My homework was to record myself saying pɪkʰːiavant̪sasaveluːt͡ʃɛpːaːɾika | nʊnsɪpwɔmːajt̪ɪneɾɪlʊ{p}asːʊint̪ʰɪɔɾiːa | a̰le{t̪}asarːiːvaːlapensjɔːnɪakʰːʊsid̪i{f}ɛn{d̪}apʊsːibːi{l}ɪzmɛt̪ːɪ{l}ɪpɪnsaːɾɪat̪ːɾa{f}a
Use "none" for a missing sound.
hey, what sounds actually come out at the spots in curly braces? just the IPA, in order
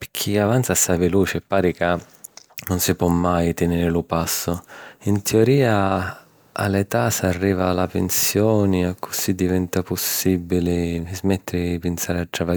p, t̪, v, t̪, l, ɾ, v

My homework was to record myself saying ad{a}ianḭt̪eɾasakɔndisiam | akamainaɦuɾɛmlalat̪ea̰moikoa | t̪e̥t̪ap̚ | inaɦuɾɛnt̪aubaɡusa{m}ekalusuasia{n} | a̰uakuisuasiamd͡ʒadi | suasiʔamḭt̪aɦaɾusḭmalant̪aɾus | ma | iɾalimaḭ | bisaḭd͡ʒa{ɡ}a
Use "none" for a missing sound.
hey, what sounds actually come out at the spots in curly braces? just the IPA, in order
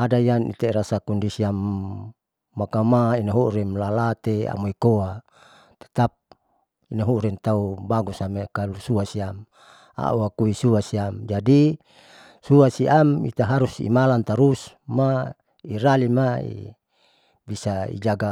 a, m, m, ɡ

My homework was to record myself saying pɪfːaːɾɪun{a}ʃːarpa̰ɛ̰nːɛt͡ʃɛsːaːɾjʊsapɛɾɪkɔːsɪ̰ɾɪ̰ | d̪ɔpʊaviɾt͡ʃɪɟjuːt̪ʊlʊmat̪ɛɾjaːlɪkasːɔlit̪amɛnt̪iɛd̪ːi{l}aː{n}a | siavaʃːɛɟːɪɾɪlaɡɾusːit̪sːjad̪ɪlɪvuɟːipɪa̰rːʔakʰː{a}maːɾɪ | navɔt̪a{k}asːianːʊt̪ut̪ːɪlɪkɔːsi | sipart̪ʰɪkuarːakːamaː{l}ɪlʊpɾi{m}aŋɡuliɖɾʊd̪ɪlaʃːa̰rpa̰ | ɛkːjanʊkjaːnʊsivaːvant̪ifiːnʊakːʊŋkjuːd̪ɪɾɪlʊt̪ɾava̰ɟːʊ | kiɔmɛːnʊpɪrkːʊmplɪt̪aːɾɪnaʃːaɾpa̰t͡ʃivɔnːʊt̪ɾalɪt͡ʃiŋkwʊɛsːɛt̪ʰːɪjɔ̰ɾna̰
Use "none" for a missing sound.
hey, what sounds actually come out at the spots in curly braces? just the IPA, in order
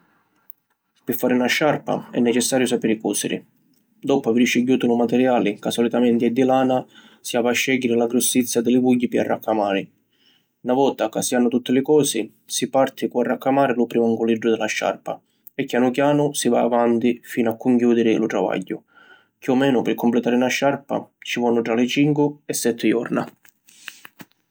a, l, n, a, k, ɾ, m

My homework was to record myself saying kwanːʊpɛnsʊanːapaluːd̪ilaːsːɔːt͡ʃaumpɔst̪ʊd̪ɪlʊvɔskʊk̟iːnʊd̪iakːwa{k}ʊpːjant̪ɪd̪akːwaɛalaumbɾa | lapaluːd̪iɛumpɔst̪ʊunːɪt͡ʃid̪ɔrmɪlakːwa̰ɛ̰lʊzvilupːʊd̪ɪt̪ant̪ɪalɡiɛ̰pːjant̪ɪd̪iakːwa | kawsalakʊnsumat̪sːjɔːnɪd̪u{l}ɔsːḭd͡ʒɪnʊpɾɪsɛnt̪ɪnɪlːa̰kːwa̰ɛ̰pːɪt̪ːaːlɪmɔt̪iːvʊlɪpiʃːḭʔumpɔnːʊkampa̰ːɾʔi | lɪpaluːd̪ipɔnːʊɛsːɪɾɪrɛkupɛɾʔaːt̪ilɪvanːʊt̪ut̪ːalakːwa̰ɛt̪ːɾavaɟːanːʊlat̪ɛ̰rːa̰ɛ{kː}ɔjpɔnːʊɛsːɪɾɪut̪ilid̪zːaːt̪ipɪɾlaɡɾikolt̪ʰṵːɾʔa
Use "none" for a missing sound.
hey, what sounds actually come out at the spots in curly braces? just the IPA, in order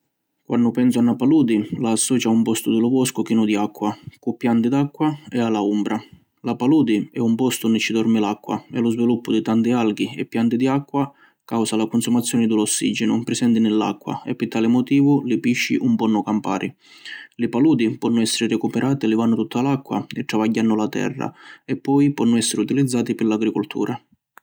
k, l, pː

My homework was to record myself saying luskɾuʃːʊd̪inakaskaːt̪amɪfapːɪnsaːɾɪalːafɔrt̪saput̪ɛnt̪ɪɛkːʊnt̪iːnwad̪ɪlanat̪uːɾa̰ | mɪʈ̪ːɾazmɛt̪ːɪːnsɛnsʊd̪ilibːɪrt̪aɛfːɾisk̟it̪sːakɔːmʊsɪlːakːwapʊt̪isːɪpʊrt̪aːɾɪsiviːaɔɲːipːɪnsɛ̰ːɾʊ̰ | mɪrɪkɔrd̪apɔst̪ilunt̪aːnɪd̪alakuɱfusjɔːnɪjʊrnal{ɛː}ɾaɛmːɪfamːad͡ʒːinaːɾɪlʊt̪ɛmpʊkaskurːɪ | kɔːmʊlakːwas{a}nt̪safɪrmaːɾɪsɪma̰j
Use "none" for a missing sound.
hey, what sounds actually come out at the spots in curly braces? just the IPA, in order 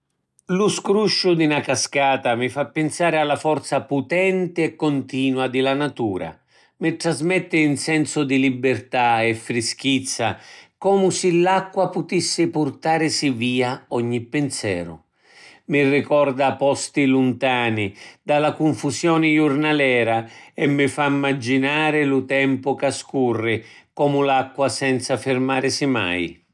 ɛː, ɛ

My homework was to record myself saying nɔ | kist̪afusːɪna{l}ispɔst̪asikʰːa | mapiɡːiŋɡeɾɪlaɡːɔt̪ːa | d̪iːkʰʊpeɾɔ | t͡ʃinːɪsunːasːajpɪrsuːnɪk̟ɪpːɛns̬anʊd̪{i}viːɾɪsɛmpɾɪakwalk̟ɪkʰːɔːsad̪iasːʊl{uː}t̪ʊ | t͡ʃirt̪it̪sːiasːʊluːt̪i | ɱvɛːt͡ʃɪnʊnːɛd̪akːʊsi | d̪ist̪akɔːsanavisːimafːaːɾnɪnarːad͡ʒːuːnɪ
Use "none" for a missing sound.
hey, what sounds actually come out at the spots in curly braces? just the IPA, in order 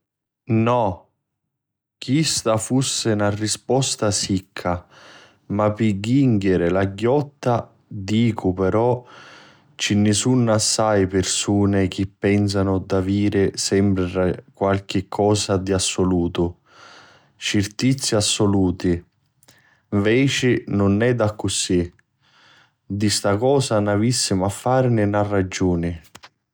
r, a, uː

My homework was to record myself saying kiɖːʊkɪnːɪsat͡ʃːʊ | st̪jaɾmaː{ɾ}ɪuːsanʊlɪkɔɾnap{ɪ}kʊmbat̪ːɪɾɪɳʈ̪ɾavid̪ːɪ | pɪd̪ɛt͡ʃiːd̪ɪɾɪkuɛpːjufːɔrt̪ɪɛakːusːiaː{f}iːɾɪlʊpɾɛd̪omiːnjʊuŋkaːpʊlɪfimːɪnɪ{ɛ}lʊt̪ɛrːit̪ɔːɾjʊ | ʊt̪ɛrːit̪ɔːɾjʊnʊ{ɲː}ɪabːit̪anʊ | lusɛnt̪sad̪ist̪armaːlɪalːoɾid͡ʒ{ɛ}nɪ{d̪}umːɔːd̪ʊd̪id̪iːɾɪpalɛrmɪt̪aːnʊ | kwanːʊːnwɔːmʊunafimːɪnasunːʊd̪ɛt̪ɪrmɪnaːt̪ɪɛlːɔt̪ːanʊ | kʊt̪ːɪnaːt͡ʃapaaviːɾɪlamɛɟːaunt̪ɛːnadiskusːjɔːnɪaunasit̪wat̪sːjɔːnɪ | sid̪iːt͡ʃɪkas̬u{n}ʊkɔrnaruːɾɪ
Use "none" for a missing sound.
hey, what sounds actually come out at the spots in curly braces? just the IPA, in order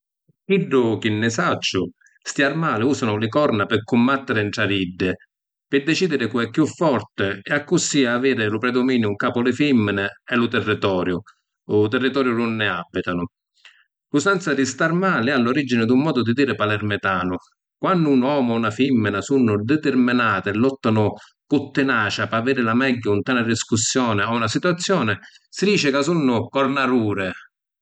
l, ɪ, v, ɛ, nː, i, d̪, nː

